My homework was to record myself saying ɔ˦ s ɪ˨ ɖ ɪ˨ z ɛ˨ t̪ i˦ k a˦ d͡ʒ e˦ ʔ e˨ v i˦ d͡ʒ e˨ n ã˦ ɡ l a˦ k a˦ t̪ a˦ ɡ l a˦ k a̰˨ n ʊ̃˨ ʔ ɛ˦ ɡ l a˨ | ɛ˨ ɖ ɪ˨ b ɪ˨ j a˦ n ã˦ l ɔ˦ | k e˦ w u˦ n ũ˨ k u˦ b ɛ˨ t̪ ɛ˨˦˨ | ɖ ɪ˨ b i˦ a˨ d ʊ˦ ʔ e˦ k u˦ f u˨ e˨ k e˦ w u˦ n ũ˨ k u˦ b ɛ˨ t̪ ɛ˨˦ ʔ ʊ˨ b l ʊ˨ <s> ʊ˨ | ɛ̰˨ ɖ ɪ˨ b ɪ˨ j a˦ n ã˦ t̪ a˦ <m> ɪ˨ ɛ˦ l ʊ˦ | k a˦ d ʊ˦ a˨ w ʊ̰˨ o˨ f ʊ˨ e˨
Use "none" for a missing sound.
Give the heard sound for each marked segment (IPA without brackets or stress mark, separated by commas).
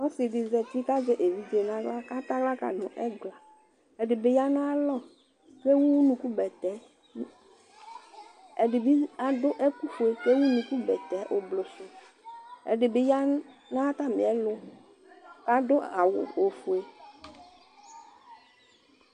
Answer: s, m